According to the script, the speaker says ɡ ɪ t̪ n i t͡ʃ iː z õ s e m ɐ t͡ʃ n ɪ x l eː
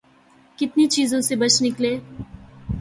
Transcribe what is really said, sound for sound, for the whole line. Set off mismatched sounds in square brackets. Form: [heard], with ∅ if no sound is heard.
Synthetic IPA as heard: [k] ɪ t̪ n i t͡ʃ iː z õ s e [b] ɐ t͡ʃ n ɪ [k] l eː